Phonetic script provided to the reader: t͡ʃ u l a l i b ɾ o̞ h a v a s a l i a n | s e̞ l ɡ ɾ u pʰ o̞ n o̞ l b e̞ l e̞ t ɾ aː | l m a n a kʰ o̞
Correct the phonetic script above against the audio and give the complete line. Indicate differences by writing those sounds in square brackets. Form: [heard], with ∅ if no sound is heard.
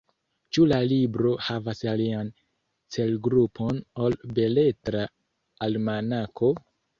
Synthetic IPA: t͡ʃ u l a l i b ɾ o̞ h a v a s a l i a n | [t͡s] e̞ l ɡ ɾ u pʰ o̞ n o̞ l b e̞ l e̞ t ɾ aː | l m a n a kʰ o̞